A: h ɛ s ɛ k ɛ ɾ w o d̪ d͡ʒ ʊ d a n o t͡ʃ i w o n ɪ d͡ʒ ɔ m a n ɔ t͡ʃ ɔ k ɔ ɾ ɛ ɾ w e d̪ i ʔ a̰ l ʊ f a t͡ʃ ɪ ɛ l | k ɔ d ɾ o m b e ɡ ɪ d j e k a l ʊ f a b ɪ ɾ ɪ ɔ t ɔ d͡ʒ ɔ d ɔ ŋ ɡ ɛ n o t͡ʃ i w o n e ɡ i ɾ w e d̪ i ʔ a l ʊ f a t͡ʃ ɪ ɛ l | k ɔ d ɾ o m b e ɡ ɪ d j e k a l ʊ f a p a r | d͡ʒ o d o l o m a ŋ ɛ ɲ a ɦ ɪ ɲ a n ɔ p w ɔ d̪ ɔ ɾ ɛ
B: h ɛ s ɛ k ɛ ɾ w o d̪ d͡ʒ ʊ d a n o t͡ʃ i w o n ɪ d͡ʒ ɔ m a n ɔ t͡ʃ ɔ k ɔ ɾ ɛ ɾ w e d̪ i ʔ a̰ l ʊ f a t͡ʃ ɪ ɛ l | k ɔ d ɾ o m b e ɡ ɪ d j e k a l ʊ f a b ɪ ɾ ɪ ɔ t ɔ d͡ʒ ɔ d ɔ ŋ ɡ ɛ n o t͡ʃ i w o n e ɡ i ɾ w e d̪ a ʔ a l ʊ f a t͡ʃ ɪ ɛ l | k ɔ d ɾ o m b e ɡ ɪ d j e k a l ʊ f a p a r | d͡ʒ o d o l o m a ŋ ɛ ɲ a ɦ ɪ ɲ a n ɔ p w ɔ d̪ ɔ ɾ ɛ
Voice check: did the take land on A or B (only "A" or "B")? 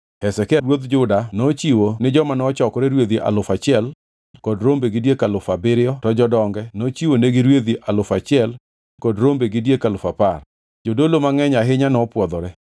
A